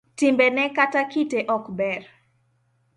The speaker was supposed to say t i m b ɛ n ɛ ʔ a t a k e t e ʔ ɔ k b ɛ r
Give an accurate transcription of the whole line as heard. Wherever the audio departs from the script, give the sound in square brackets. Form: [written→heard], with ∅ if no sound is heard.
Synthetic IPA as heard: t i m b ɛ n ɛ [ʔ→k] a t a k [e→i] t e ʔ ɔ k b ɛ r